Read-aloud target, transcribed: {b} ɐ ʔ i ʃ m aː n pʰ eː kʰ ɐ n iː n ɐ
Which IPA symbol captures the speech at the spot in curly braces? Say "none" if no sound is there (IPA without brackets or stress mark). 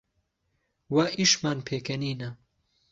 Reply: w